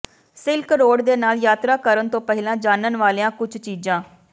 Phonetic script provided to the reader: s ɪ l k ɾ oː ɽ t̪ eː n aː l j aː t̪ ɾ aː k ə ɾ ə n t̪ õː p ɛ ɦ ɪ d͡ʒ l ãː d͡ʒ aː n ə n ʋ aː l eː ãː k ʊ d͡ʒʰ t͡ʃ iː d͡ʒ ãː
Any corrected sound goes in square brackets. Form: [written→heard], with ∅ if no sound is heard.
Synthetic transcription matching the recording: s ɪ l k ɾ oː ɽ [t̪→d̪] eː n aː l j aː t̪ ɾ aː k ə ɾ ə n t̪ õː p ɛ ɦ ɪ [d͡ʒ→∅] l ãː d͡ʒ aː n ə n ʋ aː l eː ãː k ʊ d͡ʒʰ t͡ʃ iː d͡ʒ ãː